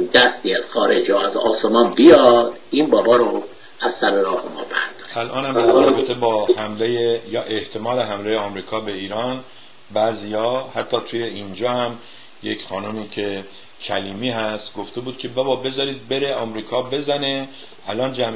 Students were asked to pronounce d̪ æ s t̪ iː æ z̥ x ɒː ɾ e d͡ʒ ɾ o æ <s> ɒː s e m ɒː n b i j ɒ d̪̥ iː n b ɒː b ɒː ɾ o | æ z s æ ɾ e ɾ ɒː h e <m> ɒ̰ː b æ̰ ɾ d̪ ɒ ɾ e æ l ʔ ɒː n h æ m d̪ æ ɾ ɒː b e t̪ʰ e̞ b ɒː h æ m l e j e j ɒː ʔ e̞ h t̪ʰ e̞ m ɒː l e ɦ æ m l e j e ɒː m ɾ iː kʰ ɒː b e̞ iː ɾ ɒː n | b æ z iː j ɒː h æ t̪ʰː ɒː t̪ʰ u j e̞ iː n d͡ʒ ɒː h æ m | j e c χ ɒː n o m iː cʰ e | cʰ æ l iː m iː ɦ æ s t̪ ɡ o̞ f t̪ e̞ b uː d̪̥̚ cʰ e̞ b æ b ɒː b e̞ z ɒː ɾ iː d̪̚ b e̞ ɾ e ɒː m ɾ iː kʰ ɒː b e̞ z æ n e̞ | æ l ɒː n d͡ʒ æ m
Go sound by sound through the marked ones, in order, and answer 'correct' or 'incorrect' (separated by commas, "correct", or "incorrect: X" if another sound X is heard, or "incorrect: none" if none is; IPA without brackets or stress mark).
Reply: incorrect: z, correct